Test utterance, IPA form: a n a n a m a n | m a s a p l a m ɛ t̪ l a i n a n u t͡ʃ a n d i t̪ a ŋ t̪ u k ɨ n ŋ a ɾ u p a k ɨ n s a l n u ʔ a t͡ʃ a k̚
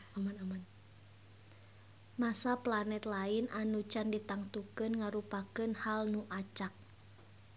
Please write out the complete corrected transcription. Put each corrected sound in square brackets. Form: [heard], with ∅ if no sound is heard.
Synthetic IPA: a [m] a n a m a n | m a s a p l a [n] ɛ t̪ l a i n a n u t͡ʃ a n d i t̪ a ŋ t̪ u k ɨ n ŋ a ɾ u p a k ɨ n [h] a l n u ʔ a t͡ʃ a k̚